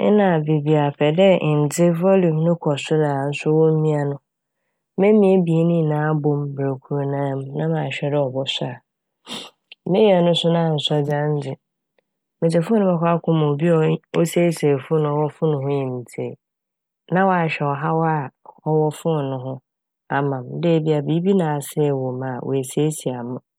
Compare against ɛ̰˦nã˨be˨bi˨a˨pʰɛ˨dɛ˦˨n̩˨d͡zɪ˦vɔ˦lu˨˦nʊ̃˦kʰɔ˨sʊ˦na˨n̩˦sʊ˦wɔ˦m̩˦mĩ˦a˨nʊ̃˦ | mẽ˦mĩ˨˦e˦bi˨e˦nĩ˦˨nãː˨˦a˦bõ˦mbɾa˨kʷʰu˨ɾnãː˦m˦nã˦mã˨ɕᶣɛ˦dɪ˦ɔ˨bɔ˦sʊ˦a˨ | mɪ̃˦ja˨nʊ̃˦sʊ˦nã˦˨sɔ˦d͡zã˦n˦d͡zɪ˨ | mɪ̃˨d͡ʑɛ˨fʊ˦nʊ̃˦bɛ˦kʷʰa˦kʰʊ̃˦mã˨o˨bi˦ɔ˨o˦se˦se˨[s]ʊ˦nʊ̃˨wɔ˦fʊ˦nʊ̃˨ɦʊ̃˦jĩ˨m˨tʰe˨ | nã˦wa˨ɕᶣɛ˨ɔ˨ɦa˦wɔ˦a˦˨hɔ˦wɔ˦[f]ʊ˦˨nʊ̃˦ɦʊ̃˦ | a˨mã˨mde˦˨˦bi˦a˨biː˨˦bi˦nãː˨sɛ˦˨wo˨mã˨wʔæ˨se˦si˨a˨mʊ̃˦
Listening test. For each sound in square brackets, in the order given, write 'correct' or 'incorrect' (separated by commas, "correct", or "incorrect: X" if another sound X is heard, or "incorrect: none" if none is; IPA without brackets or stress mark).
incorrect: f, correct